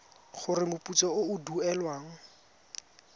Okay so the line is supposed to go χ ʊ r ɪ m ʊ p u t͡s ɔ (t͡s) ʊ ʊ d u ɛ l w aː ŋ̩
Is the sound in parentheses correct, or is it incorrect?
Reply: incorrect